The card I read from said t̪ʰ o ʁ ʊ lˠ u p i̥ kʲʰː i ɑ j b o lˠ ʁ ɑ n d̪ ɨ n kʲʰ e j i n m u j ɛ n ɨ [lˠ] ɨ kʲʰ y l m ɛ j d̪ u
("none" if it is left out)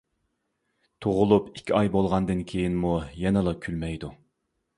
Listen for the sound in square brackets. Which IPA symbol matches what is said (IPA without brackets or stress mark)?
lˠ